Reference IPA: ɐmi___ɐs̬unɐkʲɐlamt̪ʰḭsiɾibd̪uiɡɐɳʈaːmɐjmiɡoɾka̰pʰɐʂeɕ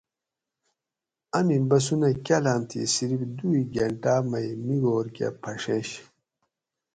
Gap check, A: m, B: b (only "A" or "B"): B